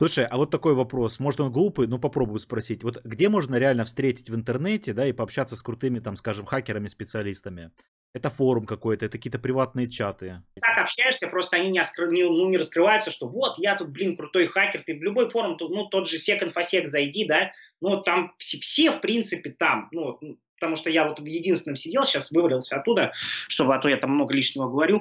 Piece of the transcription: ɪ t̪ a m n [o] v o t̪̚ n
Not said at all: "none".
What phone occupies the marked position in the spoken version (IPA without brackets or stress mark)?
u